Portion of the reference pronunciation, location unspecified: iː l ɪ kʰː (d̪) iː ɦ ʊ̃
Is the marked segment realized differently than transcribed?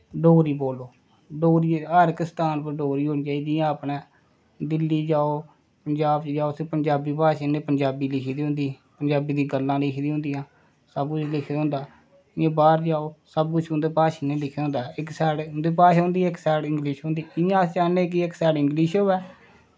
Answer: no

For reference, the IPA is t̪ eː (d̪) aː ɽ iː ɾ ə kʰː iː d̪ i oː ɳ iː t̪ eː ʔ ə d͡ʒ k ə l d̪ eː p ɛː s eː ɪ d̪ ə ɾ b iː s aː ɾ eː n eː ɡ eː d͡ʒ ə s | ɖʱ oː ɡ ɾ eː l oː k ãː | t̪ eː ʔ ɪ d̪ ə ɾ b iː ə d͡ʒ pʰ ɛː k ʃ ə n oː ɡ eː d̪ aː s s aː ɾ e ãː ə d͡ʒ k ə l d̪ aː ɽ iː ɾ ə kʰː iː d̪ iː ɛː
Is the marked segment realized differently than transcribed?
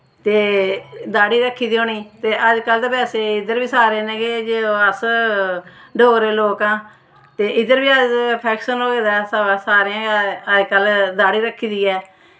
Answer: no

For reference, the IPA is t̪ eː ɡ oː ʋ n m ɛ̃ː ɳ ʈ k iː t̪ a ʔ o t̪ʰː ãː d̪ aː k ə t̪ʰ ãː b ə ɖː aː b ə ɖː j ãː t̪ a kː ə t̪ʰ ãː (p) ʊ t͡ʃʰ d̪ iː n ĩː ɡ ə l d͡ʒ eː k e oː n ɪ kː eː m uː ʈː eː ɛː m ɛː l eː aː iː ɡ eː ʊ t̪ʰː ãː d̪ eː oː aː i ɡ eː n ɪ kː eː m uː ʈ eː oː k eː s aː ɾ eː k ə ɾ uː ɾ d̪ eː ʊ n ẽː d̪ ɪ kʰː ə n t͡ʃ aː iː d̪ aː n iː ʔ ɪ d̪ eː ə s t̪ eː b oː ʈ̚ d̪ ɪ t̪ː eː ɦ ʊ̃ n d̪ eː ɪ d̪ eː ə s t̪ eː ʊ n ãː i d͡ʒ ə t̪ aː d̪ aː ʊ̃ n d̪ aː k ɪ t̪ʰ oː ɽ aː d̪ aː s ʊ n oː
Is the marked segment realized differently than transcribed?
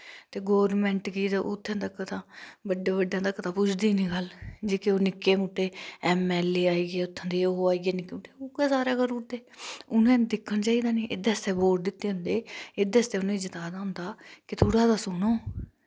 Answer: no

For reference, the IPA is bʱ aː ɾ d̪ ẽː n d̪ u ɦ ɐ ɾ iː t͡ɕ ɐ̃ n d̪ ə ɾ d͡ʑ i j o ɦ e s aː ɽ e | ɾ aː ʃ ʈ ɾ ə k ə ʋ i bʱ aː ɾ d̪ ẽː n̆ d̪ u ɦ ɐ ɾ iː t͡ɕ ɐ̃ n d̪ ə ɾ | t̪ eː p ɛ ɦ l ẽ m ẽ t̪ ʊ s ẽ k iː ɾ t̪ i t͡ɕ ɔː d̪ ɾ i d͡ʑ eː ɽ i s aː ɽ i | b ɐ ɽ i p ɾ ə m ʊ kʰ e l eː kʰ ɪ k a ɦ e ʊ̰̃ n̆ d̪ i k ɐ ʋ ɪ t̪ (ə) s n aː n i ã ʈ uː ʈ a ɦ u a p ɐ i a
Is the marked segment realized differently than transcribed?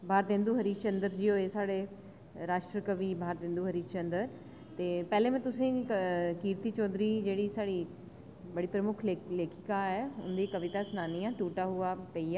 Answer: yes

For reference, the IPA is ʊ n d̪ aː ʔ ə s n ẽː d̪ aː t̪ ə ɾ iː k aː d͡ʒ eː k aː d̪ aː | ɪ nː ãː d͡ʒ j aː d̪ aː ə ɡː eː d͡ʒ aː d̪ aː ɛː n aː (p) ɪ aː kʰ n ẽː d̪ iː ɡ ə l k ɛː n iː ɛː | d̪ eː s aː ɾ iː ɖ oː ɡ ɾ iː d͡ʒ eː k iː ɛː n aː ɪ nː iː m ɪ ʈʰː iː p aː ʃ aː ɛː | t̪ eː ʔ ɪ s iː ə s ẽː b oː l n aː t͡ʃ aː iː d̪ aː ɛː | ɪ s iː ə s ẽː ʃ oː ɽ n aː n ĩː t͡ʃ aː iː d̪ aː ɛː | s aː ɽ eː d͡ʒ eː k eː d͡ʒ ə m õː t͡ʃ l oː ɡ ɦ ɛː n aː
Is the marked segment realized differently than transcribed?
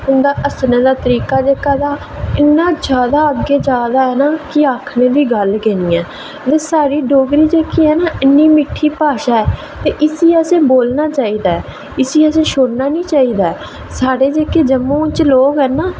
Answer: yes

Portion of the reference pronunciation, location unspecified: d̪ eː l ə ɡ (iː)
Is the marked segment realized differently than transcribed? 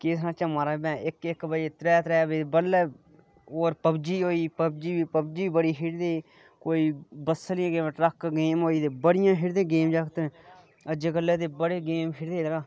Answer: yes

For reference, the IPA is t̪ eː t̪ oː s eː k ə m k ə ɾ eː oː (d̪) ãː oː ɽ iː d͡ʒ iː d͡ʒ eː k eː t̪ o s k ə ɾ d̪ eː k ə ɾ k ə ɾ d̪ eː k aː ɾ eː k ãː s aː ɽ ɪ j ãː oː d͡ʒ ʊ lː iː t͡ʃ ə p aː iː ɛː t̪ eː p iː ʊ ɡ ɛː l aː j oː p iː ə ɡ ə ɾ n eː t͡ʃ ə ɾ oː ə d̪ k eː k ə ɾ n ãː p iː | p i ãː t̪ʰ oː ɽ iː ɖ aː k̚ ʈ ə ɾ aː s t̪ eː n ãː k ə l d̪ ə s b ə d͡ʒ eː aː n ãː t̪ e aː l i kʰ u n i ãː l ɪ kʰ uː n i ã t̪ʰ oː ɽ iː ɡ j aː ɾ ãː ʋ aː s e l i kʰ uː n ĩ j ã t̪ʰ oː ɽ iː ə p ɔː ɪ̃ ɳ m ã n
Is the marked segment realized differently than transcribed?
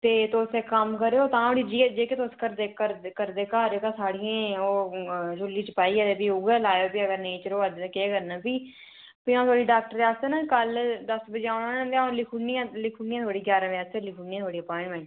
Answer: yes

